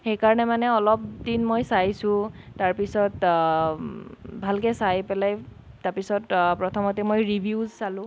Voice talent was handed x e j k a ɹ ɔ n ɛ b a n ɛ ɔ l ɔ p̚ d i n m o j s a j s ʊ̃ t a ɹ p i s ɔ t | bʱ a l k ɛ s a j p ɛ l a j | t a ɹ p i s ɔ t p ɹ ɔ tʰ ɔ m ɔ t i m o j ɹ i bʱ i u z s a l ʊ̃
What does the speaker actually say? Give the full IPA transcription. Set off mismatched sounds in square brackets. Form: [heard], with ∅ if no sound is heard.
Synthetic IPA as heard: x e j k a ɹ ɔ n ɛ [m] a n ɛ ɔ l ɔ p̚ d i n m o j s a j s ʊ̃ t a ɹ p i s ɔ t | bʱ a l k ɛ s a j p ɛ l a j | t a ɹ p i s ɔ t p ɹ ɔ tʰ ɔ m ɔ t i m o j ɹ i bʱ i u z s a l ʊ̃